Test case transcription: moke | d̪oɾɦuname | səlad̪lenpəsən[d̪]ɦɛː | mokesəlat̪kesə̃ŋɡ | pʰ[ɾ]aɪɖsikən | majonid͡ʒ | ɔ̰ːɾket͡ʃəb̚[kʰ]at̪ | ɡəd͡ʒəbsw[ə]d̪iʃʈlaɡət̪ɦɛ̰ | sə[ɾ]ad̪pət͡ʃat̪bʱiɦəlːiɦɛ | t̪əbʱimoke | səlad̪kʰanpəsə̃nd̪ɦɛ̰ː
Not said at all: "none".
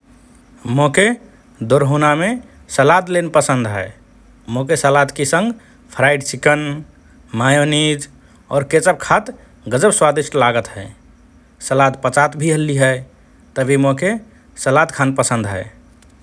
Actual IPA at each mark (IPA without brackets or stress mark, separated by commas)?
d̪, ɾ, kʰ, a, l